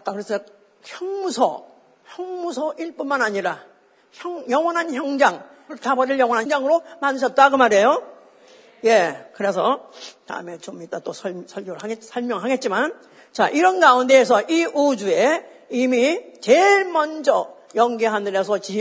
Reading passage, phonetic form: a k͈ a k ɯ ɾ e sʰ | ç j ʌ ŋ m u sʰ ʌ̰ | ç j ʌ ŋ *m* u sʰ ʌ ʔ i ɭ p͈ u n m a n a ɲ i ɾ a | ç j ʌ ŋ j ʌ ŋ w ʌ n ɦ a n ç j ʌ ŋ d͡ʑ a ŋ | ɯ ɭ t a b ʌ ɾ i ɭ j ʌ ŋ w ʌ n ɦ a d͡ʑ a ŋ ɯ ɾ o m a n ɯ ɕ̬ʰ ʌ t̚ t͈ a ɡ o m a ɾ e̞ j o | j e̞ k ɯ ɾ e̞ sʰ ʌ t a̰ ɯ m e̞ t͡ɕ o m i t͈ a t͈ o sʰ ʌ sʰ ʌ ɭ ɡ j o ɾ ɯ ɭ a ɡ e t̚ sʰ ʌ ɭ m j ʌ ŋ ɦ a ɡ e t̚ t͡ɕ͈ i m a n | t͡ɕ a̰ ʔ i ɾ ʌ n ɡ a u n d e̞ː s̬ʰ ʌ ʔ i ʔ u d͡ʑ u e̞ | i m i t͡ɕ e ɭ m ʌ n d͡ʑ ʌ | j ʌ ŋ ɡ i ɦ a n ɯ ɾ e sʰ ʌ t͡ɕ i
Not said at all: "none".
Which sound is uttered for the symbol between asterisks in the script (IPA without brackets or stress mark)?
m